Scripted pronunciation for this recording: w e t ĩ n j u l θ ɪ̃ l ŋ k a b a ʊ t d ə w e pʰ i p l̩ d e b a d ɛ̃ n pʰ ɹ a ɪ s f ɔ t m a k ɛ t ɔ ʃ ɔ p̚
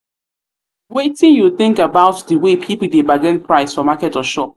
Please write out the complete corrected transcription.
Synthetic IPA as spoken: w e t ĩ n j u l θ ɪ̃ ŋ k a b a ʊ t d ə w e pʰ i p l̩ d e b a ɡ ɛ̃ n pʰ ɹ a ɪ s f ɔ m a k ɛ t ɔ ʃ ɔ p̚